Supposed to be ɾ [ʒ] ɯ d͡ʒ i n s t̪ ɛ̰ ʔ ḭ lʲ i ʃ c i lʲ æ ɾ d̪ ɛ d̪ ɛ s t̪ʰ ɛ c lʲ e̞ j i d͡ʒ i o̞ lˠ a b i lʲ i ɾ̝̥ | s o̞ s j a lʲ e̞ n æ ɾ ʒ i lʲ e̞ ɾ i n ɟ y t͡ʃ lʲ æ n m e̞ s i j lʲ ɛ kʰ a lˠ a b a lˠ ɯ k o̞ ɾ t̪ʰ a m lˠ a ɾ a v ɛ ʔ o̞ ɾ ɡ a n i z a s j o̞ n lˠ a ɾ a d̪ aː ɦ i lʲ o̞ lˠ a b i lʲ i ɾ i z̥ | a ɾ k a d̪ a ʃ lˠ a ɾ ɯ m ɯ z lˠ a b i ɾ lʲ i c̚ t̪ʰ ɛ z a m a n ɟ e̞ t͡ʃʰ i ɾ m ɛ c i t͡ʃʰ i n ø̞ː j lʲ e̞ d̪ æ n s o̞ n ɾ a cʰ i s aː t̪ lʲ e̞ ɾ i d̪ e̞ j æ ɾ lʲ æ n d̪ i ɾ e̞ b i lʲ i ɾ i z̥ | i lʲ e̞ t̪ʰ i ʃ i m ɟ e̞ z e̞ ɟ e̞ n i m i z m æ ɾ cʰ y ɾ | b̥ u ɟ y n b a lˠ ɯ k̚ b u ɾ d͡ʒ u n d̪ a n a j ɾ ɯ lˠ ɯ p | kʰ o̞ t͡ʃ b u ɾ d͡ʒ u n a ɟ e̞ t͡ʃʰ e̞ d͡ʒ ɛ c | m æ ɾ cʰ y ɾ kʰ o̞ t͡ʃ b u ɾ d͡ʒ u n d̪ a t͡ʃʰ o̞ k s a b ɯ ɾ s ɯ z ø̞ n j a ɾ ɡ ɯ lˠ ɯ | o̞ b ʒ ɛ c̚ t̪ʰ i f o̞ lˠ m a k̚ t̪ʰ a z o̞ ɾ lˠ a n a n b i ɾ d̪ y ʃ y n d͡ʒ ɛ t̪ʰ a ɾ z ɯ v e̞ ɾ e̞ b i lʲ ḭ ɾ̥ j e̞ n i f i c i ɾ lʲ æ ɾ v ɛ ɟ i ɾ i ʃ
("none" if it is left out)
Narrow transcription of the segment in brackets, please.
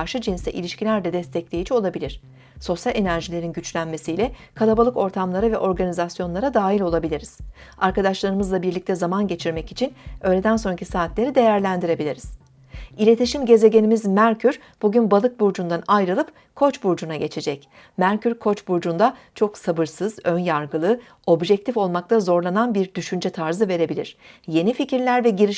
ʃ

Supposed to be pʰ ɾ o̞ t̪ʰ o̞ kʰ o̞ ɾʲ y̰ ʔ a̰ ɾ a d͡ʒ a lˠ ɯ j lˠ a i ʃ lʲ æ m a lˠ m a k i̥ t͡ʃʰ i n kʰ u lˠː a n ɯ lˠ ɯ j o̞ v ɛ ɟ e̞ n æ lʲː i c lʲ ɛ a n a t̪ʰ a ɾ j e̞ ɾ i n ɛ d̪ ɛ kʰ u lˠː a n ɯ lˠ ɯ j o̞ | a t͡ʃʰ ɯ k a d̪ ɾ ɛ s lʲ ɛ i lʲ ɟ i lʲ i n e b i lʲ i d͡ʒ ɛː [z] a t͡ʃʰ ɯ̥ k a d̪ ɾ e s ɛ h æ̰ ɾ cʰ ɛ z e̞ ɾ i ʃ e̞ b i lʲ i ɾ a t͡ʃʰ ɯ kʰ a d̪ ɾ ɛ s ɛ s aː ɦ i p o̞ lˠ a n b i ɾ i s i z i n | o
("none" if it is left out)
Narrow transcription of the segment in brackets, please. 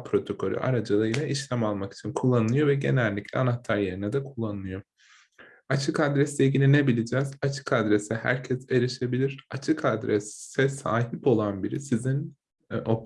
z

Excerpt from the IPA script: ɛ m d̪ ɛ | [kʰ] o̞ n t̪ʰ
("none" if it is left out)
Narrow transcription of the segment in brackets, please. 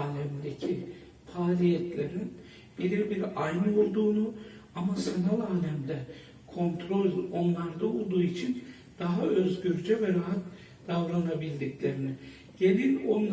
kʰ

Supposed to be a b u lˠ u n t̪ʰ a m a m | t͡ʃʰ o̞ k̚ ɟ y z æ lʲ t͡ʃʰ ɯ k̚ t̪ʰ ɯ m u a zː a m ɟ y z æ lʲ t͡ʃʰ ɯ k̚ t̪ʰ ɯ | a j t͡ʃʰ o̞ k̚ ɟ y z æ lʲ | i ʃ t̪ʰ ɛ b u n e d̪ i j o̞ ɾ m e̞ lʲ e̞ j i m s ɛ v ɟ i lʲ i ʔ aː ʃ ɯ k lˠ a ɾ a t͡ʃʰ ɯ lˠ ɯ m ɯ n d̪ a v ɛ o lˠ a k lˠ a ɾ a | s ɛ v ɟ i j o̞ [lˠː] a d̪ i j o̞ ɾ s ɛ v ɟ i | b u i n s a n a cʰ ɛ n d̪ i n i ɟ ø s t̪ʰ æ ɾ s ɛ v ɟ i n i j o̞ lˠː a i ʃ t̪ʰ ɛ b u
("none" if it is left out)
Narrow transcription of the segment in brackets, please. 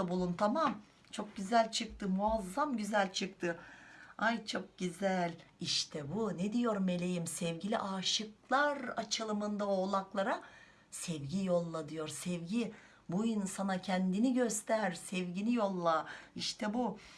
lˠː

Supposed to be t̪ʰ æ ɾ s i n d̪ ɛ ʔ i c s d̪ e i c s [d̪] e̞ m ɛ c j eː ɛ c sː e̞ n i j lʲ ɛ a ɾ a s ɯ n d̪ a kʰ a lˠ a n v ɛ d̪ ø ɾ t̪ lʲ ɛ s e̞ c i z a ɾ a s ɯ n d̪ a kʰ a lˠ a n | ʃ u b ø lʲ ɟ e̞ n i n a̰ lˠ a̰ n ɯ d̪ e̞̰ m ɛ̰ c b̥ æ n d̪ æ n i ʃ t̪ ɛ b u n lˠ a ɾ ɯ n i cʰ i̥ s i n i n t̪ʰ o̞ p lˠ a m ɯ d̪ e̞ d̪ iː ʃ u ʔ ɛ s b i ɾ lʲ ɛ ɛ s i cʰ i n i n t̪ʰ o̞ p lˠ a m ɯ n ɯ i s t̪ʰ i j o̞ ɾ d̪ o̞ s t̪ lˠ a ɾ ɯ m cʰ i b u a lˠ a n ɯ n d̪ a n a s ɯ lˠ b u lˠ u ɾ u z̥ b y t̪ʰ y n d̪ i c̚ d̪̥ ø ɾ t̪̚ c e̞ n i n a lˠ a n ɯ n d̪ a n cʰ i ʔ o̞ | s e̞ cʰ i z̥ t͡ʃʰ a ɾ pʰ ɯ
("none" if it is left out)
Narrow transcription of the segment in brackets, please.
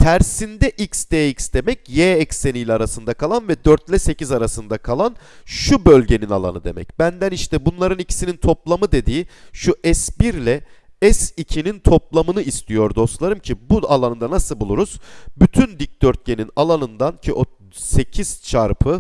d̪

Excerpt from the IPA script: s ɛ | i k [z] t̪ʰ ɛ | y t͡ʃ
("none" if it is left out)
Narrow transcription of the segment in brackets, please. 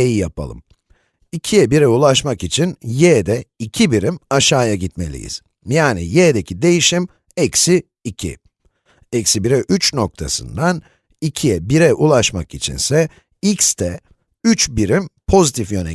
s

